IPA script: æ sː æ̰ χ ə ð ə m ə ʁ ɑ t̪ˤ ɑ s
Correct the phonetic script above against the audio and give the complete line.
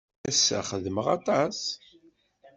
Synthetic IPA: æ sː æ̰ χ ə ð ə m ə ʁ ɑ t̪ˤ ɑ s